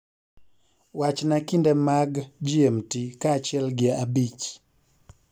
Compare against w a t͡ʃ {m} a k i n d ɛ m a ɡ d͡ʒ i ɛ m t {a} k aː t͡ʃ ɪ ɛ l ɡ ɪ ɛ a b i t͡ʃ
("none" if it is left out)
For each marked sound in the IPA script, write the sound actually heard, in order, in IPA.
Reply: n, i

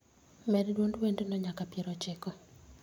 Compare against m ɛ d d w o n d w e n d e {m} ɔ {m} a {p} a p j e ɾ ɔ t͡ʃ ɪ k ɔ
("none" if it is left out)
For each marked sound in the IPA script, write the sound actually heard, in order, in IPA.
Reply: n, ɲ, k

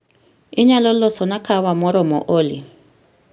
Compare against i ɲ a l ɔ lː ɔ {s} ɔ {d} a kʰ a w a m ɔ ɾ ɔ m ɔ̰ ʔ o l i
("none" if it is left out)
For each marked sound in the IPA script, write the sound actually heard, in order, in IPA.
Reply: s, n

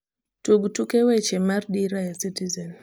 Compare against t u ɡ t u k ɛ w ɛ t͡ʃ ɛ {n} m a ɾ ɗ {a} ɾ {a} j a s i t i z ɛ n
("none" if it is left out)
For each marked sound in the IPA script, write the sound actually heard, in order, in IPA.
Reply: none, i, a

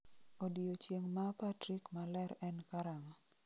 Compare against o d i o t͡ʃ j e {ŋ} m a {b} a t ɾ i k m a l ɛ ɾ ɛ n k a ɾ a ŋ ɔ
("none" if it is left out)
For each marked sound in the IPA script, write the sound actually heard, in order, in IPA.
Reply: ŋ, p

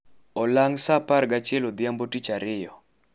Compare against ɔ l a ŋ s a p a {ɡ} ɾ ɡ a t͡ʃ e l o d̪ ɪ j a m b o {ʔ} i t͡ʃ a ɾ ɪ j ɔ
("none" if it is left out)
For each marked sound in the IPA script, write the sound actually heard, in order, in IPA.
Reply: none, t

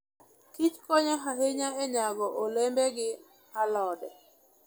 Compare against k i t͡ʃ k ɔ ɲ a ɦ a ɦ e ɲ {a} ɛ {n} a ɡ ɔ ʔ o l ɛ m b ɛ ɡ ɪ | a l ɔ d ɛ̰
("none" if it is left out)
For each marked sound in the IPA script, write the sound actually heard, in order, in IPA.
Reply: a, ɲ

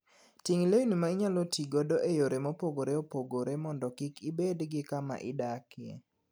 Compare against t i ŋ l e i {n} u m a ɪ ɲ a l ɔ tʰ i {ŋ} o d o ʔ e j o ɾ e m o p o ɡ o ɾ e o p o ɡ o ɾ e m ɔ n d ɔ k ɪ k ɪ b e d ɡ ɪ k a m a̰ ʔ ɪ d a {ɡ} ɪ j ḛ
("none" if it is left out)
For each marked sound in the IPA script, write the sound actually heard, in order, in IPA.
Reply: n, ɡ, k

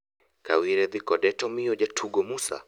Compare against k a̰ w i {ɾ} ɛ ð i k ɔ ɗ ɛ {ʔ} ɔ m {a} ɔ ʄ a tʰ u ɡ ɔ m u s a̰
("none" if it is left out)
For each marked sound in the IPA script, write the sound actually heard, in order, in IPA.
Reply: ɾ, t, i

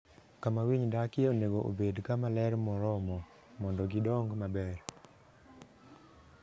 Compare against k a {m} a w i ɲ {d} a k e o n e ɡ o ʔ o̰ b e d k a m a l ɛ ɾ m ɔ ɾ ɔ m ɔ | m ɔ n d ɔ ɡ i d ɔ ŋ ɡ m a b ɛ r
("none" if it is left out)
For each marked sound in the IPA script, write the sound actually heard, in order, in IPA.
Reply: m, d

